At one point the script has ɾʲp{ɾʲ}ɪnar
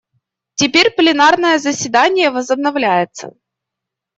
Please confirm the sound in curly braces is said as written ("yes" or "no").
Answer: no